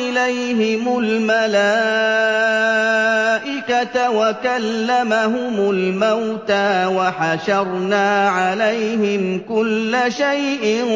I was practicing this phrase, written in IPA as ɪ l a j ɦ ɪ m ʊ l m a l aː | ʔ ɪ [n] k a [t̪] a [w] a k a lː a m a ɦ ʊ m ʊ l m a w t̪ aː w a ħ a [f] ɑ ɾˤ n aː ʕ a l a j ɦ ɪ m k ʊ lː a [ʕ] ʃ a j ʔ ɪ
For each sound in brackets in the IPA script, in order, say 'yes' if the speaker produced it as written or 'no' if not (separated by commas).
no, yes, yes, no, no